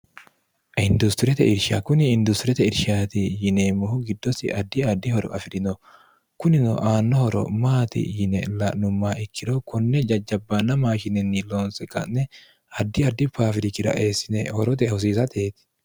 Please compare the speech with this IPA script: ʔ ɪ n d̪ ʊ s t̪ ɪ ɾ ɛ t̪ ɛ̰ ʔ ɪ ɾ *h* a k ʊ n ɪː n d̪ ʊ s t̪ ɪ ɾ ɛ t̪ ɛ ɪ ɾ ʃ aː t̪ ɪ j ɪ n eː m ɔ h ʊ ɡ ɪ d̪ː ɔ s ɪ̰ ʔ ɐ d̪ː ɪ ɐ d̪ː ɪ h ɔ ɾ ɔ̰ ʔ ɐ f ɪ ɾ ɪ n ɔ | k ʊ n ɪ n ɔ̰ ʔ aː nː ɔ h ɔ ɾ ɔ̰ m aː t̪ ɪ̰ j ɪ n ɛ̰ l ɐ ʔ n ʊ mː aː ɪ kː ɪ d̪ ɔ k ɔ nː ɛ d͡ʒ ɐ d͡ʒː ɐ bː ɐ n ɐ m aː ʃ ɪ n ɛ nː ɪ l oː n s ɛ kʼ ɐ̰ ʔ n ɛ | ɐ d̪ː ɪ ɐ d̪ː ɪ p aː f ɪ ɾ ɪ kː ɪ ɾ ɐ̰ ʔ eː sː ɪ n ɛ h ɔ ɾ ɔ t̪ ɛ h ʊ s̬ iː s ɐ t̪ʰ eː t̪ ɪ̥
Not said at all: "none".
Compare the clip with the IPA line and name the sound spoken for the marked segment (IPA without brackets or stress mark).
ʃ